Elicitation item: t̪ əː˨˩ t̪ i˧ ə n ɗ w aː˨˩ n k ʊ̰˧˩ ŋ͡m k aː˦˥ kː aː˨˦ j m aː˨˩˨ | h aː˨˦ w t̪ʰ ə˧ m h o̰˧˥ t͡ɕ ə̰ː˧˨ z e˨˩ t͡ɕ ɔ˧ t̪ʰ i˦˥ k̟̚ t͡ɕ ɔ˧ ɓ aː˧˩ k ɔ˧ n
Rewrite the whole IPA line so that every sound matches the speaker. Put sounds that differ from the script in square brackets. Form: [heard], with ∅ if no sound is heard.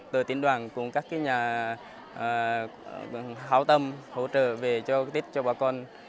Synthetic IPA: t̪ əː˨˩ t̪ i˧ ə n ɗ w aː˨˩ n k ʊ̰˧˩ ŋ͡m k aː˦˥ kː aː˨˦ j [ɲ] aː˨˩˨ | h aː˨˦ w [t̪] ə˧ m h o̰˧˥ t͡ɕ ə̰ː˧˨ [v] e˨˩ t͡ɕ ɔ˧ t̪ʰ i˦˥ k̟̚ t͡ɕ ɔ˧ ɓ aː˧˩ k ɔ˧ n